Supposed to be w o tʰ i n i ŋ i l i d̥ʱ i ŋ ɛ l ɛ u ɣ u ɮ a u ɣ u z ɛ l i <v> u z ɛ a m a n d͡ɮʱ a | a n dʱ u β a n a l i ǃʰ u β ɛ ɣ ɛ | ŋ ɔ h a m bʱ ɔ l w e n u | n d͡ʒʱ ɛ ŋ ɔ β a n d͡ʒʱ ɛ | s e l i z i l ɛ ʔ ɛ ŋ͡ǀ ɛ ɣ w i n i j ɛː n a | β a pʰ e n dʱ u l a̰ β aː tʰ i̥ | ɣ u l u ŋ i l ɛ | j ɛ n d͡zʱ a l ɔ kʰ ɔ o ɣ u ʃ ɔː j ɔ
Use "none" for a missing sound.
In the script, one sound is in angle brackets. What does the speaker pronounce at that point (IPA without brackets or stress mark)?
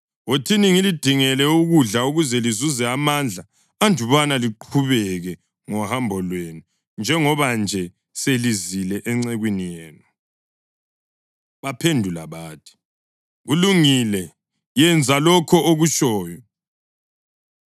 z